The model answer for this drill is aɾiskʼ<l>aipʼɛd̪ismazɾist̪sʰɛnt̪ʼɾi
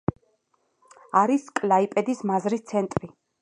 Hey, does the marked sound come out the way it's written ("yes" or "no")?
yes